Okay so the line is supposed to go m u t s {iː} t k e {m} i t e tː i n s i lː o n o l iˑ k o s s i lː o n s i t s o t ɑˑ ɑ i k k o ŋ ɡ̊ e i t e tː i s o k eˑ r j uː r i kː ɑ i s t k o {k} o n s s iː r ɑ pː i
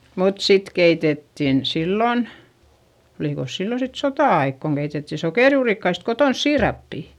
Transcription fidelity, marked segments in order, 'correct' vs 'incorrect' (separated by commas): incorrect, incorrect, incorrect